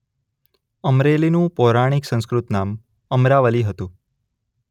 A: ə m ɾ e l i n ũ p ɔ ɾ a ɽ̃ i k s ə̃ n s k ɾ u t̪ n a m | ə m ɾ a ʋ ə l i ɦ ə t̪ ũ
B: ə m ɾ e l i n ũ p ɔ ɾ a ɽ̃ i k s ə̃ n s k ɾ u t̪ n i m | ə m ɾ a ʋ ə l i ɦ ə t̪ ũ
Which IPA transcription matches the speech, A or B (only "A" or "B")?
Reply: A